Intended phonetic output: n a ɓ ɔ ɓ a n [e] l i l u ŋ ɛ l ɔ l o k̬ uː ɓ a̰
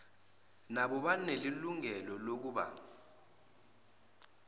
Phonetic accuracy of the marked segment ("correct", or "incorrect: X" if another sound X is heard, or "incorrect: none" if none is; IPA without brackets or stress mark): correct